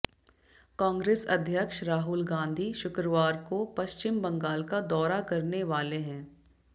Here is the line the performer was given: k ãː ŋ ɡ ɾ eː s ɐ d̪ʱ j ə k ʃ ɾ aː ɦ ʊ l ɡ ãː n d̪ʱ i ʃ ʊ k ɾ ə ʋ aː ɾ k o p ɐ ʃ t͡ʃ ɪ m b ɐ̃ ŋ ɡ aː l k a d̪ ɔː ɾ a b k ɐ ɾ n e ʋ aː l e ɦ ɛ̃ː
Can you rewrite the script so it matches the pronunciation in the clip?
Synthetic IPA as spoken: k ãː ŋ ɡ ɾ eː s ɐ d̪ʱ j ə k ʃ ɾ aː ɦ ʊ l ɡ ãː n d̪ʱ i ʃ ʊ k ɾ ə ʋ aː ɾ k o p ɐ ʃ t͡ʃ ɪ m b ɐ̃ ŋ ɡ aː l k a d̪ ɔː ɾ a k ɐ ɾ n e ʋ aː l e ɦ ɛ̃ː